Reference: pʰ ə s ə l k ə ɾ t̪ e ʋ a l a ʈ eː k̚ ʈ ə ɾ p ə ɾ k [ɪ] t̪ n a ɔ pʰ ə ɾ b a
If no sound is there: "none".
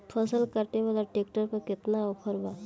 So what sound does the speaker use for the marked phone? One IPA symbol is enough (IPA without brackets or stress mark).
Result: ɪ